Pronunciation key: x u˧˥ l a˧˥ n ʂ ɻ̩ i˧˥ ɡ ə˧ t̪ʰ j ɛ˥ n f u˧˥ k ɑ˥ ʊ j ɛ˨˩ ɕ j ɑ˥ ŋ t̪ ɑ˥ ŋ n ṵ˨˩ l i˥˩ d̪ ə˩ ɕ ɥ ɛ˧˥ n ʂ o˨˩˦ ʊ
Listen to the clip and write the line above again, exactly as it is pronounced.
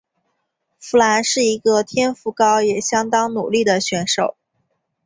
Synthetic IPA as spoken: f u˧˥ l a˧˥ n ʂ ɻ̩ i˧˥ ɡ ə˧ t̪ʰ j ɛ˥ n f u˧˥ k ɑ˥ ʊ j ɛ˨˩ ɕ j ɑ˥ ŋ t̪ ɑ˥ ŋ n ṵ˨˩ l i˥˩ d̪ ə˩ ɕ ɥ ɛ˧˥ n ʂ o˨˩˦ ʊ